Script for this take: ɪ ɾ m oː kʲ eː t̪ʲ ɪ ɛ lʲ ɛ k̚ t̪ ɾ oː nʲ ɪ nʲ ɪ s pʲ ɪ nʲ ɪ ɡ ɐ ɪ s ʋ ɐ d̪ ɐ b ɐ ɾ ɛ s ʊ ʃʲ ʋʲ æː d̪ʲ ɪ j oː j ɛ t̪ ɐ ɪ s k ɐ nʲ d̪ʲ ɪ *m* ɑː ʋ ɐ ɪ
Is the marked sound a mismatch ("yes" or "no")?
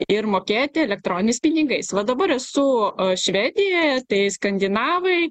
yes